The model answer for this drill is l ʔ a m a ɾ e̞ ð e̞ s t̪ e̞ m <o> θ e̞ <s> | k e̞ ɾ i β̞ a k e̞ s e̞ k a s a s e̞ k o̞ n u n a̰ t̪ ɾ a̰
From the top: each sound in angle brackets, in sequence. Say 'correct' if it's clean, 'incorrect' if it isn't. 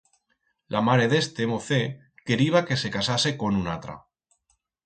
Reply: correct, incorrect: none

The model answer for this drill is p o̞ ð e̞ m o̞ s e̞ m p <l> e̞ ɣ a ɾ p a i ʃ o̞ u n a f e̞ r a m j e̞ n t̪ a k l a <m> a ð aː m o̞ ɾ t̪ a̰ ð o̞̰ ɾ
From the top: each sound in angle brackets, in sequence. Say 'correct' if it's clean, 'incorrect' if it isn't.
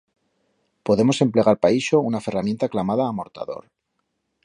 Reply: correct, correct

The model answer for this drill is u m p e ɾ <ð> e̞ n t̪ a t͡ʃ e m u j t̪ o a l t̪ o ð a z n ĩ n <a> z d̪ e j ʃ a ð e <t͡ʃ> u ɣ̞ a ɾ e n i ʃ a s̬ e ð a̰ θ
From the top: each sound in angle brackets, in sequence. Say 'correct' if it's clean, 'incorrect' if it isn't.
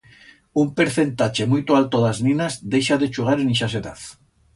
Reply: incorrect: θ, correct, correct

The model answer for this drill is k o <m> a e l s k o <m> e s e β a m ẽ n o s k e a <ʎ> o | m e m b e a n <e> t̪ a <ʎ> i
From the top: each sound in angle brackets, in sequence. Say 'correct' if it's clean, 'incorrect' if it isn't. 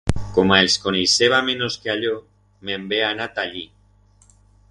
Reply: correct, incorrect: n, correct, incorrect: a, correct

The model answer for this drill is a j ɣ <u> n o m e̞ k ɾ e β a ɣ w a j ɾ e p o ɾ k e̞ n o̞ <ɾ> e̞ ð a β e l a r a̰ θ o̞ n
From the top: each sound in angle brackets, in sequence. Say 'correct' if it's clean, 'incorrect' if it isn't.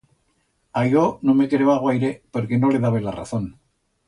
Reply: incorrect: o, incorrect: l

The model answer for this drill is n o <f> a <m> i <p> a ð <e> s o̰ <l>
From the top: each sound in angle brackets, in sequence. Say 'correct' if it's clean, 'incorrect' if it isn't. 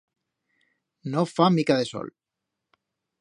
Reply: correct, correct, incorrect: k, correct, correct

